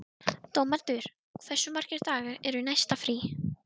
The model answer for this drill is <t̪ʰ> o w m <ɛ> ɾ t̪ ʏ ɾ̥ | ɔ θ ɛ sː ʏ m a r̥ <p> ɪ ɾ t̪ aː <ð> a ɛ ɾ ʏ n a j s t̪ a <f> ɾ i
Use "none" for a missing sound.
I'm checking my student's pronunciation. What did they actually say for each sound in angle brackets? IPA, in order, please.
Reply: t̪, a, c, ɣ, f

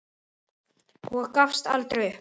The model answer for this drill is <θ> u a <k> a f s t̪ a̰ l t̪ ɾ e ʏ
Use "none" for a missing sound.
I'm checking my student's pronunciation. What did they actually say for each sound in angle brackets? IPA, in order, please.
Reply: h, k

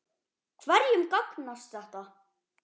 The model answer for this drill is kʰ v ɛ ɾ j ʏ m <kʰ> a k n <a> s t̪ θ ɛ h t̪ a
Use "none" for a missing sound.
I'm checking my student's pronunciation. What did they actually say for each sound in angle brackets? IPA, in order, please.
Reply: k, a

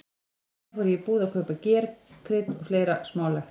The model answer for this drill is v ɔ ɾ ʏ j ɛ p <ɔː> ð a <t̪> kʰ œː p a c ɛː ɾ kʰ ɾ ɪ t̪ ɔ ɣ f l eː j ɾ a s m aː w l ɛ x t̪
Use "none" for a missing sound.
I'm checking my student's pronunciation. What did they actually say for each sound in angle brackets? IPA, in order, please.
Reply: uː, none

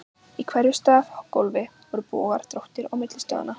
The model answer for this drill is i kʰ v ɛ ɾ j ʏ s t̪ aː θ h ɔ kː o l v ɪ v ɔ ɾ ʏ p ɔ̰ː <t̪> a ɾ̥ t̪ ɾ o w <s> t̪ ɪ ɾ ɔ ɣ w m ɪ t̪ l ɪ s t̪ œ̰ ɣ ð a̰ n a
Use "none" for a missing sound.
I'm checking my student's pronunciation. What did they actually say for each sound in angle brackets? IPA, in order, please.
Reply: none, h

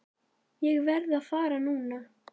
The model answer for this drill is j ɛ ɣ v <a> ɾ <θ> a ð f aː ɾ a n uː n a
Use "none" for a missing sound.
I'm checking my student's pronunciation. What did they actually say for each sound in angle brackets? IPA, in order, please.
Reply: ɛ, ð

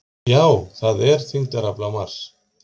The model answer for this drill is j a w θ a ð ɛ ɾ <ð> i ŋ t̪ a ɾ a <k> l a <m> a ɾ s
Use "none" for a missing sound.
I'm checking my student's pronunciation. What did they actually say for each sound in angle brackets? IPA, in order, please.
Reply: θ, p, m

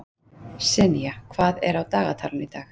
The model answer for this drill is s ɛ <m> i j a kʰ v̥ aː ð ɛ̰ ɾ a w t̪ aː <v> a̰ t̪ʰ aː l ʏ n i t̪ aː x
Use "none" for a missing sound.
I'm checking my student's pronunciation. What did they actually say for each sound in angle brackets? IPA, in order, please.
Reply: n, ɣ

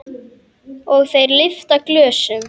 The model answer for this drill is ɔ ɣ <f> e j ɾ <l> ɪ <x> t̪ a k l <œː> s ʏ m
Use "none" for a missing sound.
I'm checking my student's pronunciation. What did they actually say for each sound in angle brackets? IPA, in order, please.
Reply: θ, l, f, œː

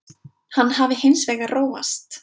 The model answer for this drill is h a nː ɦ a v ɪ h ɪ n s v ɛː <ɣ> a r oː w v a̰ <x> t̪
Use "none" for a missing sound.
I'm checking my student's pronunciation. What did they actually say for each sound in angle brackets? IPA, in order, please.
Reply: ɣ, s

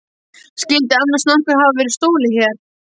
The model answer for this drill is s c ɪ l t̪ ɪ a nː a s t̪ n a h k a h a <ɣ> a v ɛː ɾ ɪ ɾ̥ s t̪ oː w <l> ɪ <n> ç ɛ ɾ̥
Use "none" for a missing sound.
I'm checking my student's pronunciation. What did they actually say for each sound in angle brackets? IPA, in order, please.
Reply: v, l, none

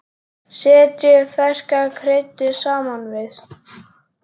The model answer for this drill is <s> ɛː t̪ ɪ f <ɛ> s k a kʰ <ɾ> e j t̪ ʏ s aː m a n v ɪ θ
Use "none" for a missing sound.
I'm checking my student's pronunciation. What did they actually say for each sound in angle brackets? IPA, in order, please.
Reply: s, ɛ, ɾ

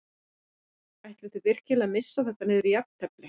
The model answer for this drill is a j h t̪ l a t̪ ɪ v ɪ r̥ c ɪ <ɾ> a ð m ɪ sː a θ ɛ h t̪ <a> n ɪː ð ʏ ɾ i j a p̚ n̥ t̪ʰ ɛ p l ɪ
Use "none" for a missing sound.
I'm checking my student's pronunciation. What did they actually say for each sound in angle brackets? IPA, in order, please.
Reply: l, a

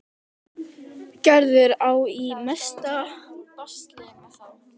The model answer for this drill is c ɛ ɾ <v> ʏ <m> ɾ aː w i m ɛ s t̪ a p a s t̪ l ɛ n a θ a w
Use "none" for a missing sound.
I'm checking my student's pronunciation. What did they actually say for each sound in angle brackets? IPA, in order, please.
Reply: ð, none

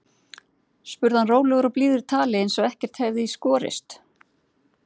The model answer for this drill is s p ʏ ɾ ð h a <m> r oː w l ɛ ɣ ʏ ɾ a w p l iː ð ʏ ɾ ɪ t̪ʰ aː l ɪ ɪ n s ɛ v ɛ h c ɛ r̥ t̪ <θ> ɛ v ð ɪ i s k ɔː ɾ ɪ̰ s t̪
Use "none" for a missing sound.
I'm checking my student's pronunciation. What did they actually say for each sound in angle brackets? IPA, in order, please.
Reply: n, h

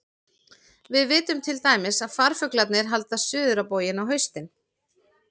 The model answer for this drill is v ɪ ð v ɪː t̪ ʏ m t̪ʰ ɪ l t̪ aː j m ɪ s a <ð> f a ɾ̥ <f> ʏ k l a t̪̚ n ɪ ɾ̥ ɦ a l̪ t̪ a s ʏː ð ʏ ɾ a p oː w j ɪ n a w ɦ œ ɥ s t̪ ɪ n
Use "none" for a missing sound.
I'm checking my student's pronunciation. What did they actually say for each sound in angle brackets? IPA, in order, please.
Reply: ð, f

